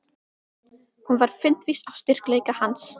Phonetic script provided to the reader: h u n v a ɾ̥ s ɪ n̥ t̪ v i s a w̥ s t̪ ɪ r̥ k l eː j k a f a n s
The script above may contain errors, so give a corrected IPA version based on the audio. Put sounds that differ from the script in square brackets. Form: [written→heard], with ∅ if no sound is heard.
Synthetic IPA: h u n v a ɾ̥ [s→f] ɪ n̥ t̪ v i s a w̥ s t̪ ɪ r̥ k l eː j k a [f→h] a n s